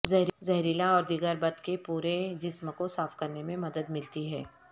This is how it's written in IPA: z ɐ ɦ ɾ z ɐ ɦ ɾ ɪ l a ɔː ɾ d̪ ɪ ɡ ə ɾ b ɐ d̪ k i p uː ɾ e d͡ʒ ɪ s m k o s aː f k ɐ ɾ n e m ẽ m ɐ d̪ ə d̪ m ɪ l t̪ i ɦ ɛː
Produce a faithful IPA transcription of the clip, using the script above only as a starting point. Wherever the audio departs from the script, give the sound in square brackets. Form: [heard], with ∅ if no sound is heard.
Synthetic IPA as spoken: z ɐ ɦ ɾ z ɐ ɦ ɾ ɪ l a ɔː ɾ d̪ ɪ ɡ ə ɾ b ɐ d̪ k [e] p uː ɾ e d͡ʒ ɪ s m k o s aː f k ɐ ɾ n e m ẽ m ɐ d̪ ə d̪ m ɪ l t̪ i ɦ ɛː

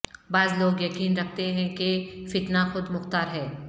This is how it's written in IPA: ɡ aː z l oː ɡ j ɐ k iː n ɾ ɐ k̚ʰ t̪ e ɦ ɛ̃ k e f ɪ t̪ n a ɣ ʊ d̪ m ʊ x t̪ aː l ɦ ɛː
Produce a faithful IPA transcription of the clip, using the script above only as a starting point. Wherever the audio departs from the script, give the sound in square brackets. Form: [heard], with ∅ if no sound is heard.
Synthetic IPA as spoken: [b] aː z l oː ɡ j ɐ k iː n ɾ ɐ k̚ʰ t̪ e ɦ ɛ̃ k e f ɪ t̪ n a [x] ʊ d̪ m ʊ x t̪ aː [ɾ] ɦ ɛː

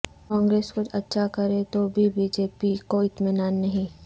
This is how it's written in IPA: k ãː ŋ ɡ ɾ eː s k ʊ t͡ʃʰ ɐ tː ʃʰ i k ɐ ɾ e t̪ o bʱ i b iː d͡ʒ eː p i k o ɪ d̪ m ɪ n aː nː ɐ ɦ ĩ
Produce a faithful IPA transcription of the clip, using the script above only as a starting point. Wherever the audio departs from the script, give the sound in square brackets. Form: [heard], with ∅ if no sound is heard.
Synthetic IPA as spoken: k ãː ŋ ɡ ɾ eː s k ʊ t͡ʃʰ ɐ tː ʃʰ [a] k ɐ ɾ e t̪ o bʱ i b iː d͡ʒ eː p i k o ɪ [t̪] m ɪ n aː nː ɐ ɦ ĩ

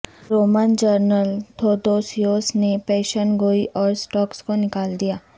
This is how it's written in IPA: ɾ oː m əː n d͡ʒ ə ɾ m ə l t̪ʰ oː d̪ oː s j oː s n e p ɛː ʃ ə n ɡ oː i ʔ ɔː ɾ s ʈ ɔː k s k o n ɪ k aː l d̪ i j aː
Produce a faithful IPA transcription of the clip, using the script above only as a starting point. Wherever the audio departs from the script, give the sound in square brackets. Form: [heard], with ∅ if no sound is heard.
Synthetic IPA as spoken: ɾ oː m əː n d͡ʒ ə ɾ [n] ə l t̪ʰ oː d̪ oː s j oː s n e p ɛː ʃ ə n ɡ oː i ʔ ɔː ɾ s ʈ ɔː k s k o n ɪ k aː l d̪ i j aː

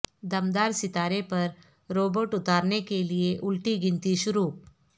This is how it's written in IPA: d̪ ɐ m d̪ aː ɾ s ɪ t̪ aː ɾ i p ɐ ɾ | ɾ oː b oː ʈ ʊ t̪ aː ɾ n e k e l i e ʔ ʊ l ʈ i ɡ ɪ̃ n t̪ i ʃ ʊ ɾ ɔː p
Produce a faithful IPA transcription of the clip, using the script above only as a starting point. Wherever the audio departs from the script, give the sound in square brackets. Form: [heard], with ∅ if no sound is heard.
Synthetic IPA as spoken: d̪ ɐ m d̪ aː ɾ s ɪ t̪ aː ɾ [e] p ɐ ɾ | ɾ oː b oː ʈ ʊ t̪ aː ɾ n e k e l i e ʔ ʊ l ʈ i ɡ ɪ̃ n t̪ i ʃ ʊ ɾ [uː] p

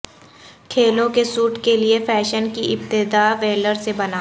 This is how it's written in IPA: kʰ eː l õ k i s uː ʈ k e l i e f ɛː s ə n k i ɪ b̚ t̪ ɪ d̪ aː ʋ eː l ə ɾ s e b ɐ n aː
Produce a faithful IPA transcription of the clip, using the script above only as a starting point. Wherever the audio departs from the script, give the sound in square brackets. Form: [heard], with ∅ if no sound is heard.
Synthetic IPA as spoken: kʰ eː l õ k [e] s uː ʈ k e l i e f ɛː [ʃ] ə n k i ɪ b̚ t̪ ɪ d̪ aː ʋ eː l ə ɾ s e b ɐ n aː

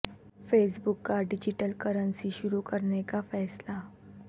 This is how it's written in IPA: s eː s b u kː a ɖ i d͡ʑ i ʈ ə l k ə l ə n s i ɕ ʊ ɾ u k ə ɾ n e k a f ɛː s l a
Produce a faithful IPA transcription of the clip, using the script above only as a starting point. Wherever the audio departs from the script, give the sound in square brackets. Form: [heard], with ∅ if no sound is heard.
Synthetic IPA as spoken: [f] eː s b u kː a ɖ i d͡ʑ i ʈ ə l k ə [ɾ] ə n s i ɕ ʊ ɾ u k ə ɾ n e k a f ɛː s l a

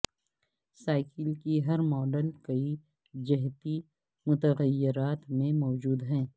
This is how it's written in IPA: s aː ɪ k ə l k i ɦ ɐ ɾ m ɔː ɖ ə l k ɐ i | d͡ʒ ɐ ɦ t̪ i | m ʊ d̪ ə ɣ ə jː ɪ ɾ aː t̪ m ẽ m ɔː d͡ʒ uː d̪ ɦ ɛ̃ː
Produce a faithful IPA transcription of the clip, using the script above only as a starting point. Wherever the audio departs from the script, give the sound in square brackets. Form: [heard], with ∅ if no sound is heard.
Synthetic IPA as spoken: s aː ɪ k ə l k i ɦ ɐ ɾ m ɔː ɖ ə l k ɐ i | d͡ʒ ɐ ɦ t̪ i | m ʊ [t̪] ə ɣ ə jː ɪ ɾ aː t̪ m ẽ m ɔː d͡ʒ uː d̪ ɦ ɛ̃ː

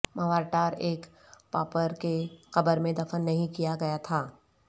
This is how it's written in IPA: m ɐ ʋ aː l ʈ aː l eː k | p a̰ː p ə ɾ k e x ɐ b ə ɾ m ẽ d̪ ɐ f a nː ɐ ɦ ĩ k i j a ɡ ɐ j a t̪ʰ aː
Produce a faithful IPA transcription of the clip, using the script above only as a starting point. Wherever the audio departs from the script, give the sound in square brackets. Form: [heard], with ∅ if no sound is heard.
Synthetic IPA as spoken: m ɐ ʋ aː [ɾ] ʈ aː [ɾ] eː k | p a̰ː p ə ɾ k e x ɐ b ə ɾ m ẽ d̪ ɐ f [ə] nː ɐ ɦ ĩ k i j a ɡ ɐ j a t̪ʰ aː

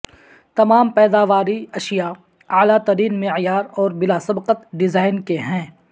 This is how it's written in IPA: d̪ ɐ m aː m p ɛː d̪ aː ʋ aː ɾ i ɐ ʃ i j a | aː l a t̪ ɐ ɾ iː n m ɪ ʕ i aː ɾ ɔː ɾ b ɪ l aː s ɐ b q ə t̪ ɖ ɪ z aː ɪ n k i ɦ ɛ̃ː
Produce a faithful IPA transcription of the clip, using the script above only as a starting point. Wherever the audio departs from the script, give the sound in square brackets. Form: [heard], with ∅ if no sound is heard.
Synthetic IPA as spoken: [t̪] ɐ m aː m p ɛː d̪ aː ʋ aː ɾ i ɐ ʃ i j a | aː l a t̪ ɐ ɾ iː n m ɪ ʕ [j] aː ɾ ɔː ɾ b ɪ l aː s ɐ b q ə t̪ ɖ ɪ z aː ɪ n k [e] ɦ ɛ̃ː

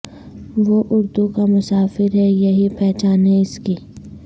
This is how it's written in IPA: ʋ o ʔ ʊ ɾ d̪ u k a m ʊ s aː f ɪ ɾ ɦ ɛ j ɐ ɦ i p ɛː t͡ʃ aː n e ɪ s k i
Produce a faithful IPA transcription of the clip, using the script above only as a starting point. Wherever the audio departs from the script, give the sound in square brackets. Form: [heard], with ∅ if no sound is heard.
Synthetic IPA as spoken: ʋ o ʔ ʊ ɾ d̪ u k a m ʊ s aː f ɪ ɾ ɦ ɛ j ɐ ɦ i p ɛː t͡ʃ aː n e ɪ s k i

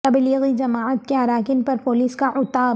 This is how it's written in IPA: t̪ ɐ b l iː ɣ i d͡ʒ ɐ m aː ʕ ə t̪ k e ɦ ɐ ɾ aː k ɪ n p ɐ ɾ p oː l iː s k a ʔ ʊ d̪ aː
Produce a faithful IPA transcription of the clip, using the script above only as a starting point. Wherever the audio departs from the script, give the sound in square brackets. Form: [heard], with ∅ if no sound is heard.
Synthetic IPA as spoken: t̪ ɐ b l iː ɣ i d͡ʒ ɐ m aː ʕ ə t̪ k e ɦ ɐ ɾ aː k ɪ n p ɐ ɾ p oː l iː s k a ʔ ʊ [t̪] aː

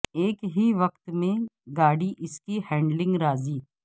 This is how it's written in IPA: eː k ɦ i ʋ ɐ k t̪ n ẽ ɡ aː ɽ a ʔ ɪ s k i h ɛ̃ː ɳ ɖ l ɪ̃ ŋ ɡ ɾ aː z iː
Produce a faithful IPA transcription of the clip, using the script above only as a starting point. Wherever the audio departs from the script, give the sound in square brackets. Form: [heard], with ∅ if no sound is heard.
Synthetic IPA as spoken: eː k ɦ i ʋ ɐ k t̪ [m] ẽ ɡ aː ɽ [i] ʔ ɪ s k i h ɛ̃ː ɳ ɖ l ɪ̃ ŋ ɡ ɾ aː z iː

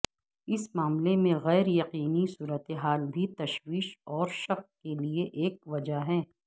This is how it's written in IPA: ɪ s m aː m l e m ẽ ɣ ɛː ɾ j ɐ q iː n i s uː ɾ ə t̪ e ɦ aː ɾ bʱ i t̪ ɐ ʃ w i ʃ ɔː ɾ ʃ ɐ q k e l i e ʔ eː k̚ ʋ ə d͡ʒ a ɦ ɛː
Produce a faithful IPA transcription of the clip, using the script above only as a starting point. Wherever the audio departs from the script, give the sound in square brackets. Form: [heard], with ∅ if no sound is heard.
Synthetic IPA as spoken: ɪ s m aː m l e m ẽ ɣ ɛː ɾ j ɐ q iː n i s uː ɾ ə t̪ e ɦ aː [l] bʱ i t̪ ɐ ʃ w [iː] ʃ ɔː ɾ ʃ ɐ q k e l i e ʔ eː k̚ ʋ [ɐ] d͡ʒ a ɦ ɛː

